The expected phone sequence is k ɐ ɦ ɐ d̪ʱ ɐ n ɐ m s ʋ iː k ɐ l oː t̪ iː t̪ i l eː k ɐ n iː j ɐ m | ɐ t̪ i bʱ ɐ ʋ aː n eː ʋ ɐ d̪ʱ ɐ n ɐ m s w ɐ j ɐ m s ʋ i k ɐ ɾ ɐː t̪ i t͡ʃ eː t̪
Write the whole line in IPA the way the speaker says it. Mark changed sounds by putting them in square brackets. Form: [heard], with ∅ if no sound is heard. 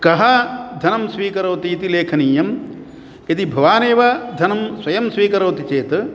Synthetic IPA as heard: k ɐ ɦ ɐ d̪ʱ ɐ n ɐ m s ʋ iː k ɐ [ɾ] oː t̪ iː t̪ i l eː [kʰ] ɐ n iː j ɐ m | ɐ t̪ i bʱ ɐ ʋ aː n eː ʋ ɐ d̪ʱ ɐ n ɐ m s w ɐ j ɐ m s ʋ [iː] k ɐ ɾ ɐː t̪ i t͡ʃ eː t̪